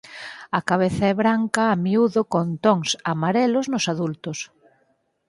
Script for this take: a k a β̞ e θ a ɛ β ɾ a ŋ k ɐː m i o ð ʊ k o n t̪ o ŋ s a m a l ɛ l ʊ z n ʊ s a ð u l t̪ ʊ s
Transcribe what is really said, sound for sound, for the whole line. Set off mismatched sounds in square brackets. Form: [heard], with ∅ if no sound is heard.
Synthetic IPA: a k a β̞ e θ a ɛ β ɾ a ŋ k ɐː m i [u] ð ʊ k o n t̪ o ŋ s a m a [ɾ] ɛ l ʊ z n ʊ s a ð u l t̪ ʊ s